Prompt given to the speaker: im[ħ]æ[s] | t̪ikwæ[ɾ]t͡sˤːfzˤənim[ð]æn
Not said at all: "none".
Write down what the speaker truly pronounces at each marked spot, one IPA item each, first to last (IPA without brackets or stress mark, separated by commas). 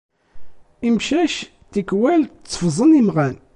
ʃ, ʃ, l, ʁ